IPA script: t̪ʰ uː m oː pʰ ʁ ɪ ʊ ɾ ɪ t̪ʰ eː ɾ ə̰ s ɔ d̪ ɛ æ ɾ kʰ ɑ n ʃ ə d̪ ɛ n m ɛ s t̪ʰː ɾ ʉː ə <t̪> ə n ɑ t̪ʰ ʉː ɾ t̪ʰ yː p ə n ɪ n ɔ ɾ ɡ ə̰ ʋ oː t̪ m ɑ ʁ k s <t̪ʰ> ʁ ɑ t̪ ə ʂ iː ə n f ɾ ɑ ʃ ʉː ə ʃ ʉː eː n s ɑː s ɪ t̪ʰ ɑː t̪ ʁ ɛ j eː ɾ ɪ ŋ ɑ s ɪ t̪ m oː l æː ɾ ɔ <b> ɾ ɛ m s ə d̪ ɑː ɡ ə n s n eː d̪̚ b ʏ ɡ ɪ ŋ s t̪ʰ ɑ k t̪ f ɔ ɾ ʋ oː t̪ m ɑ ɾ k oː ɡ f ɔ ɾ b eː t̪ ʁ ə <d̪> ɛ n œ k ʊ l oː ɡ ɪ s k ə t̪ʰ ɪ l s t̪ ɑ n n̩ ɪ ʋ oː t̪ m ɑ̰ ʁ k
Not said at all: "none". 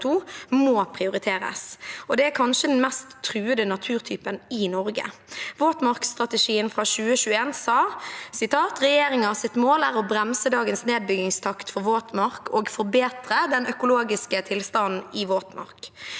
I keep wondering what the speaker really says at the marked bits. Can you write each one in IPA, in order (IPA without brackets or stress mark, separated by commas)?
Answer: d̪, t̪, b, d̪